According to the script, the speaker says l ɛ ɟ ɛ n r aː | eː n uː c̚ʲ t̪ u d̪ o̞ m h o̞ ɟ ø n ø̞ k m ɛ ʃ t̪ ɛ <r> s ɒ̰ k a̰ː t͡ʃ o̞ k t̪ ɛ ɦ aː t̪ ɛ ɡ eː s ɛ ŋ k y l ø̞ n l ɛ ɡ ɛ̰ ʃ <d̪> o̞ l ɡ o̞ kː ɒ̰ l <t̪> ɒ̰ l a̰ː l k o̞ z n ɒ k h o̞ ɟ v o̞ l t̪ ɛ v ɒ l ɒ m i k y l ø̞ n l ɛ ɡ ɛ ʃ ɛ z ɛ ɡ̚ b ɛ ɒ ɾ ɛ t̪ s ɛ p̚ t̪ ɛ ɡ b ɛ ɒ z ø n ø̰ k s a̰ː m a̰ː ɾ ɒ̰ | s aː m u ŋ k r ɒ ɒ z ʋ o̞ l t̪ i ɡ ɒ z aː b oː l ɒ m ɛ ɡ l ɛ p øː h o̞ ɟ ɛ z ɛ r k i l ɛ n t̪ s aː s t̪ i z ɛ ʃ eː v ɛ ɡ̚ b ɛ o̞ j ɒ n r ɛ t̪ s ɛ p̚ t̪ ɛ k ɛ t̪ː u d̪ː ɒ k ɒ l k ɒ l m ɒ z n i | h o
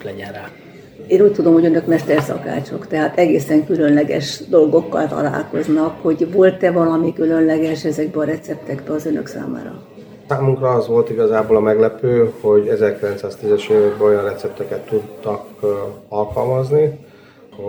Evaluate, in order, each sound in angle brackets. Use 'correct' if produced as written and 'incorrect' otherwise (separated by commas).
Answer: correct, correct, correct